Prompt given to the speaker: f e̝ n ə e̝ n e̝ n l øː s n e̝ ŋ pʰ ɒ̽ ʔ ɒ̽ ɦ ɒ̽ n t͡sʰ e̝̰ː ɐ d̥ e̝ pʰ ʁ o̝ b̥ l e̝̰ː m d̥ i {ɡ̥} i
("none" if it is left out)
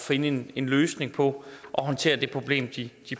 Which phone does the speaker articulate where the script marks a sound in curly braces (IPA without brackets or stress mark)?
d̥